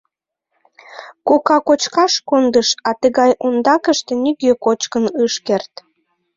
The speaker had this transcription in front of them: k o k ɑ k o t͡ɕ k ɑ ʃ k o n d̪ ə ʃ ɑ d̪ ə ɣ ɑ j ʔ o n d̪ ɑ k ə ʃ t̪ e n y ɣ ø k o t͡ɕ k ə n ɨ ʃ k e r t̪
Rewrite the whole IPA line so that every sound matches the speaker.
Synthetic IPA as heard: k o k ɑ k o t͡ɕ k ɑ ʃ k o n d̪ ə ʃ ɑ t̪ ə ɣ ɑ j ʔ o n d̪ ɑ k ə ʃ t̪ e n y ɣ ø k o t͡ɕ k ə n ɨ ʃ k e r t̪